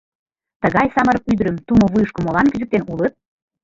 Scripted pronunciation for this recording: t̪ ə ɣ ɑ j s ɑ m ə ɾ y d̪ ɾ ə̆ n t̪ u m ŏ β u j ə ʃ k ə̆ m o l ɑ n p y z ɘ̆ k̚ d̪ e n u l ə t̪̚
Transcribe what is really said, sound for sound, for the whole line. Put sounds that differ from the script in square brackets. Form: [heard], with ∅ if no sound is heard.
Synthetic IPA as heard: t̪ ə ɣ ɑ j s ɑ m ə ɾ y d̪ ɾ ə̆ [m] t̪ u m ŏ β u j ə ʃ k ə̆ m o l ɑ n [k] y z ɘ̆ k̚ [t̪] e n u l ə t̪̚